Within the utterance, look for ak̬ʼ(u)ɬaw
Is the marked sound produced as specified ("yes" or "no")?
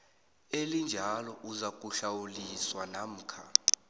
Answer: yes